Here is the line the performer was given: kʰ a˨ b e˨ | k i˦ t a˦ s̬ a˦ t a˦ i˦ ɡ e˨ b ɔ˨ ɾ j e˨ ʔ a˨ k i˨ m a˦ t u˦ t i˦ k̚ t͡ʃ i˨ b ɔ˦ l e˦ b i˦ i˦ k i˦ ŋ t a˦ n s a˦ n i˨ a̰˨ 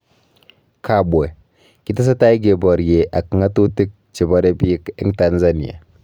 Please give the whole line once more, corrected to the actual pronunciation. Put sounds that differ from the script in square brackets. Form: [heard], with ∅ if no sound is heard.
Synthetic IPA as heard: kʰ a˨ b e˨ | k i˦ t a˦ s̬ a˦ t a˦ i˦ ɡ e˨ b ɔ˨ ɾ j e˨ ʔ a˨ k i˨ [ŋ] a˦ t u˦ t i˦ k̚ t͡ʃ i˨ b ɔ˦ [ɾ] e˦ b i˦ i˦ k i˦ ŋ t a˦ n [z] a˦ n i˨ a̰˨